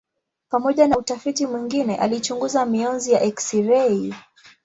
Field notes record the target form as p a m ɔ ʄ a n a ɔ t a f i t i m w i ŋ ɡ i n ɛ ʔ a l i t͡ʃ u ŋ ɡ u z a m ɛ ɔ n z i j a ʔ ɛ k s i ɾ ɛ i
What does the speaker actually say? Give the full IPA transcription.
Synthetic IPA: p a m ɔ ʄ a n a u t a f i t i m w i ŋ ɡ i n ɛ ʔ a l i t͡ʃ u ŋ ɡ u z a m i ɔ n z i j a ʔ ɛ k s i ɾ ɛ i

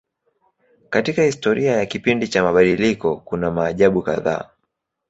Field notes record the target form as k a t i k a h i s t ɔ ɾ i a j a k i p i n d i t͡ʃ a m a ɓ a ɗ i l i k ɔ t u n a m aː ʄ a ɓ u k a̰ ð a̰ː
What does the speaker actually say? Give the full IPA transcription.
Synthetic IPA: k a t i k a h i s t ɔ ɾ i a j a k i p i n d i t͡ʃ a m a ɓ a ɗ i l i k ɔ k u n a m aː ʄ a ɓ u k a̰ ð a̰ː

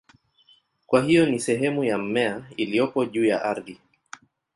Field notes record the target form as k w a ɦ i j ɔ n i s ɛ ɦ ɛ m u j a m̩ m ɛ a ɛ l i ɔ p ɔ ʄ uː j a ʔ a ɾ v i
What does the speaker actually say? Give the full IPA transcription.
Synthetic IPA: k w a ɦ i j ɔ n i s ɛ ɦ ɛ m u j a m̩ m ɛ a i l i ɔ p ɔ ʄ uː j a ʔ a ɾ ð i

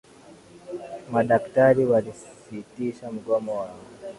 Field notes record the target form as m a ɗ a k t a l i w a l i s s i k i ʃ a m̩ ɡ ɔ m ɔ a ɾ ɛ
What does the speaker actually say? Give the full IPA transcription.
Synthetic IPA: m a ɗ a k t a ɾ i w a l i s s i t i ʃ a m̩ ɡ ɔ m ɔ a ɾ a

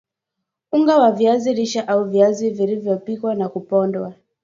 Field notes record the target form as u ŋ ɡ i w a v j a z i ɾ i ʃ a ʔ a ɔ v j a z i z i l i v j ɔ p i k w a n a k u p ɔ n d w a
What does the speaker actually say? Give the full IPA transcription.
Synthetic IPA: u ŋ ɡ a w a v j a z i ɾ i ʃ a ʔ a u v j a z i v i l i v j ɔ p i k w a n a k u p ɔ n d w a

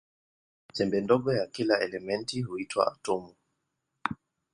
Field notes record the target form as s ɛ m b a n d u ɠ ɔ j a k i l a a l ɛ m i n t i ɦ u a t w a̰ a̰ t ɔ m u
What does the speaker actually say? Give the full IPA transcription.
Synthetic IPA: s ɛ m b ɛ n d ɔ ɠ ɔ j a k i l a ɛ l ɛ m ɛ n t i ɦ u i t w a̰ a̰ t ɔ m u

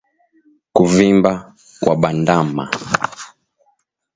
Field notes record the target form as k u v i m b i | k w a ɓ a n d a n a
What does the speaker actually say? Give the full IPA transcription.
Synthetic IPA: k u v i m b a | k w a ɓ a n d a m a

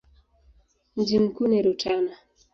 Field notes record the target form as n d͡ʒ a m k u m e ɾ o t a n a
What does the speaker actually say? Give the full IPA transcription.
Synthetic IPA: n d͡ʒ i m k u n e ɾ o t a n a

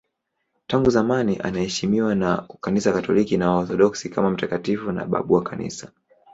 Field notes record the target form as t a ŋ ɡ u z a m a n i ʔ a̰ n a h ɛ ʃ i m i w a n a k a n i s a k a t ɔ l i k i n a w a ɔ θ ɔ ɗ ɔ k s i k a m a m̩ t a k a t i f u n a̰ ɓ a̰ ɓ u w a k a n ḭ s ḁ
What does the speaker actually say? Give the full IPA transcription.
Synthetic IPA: t a ŋ ɡ u z a m a n i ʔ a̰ n a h ɛ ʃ i m i w a n a k a n i s a k a t ɔ l i k i n a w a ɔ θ ɔ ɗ ɔ k s i k a m a m̩ t a k a t i f u n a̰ ɓ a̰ ɓ u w a k a n ḭ s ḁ

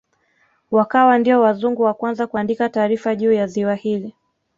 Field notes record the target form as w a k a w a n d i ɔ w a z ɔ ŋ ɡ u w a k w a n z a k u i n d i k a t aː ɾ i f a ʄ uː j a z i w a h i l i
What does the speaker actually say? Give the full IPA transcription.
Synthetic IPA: w a k a w a n d i ɔ w a z u ŋ ɡ u w a k w a n z a k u a n d i k a t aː ɾ i f a ʄ uː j a z i w a h i l i

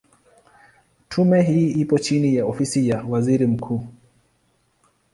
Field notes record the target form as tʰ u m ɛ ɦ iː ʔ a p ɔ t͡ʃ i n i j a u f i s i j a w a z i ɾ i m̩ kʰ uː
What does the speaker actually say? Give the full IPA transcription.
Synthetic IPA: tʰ u m ɛ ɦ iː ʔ i p ɔ t͡ʃ i n i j a ɔ f i s i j a w a z i ɾ i m̩ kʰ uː

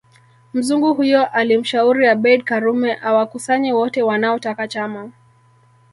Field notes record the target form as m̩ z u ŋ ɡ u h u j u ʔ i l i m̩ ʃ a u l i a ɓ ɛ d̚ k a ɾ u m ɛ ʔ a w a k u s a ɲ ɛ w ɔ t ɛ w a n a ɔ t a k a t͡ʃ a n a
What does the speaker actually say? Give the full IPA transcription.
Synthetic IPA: m̩ z u ŋ ɡ u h u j ɔ ʔ a l i m̩ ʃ a u ɾ i a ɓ ɛ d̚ k a ɾ u m ɛ ʔ a w a k u s a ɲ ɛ w ɔ t ɛ w a n a ɔ t a k a t͡ʃ a m a

